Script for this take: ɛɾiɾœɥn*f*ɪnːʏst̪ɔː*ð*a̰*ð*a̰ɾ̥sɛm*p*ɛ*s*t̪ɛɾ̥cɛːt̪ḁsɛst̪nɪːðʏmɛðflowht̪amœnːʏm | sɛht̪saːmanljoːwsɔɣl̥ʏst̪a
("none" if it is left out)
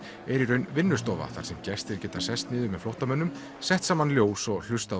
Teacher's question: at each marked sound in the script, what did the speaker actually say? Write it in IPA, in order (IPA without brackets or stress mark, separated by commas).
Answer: v, v, θ, c, s